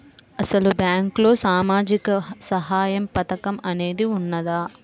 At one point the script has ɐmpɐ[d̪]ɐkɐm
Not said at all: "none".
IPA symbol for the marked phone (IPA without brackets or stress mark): t̪